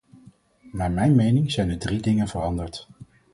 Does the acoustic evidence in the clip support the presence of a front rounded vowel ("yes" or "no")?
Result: no